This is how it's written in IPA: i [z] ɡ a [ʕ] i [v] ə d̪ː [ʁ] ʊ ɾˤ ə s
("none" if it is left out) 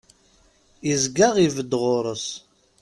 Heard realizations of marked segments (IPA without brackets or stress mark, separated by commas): z, ʁ, v, ʁ